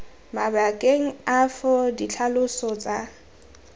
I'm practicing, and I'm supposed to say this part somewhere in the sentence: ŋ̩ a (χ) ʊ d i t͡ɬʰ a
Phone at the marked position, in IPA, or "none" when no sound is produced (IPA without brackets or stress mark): f